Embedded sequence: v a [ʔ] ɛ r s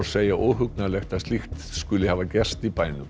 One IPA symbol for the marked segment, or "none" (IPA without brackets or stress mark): c